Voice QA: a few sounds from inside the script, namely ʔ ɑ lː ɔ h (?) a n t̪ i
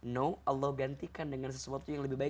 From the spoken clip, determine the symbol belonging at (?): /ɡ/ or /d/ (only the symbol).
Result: ɡ